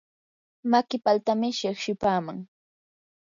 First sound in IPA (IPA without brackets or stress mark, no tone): m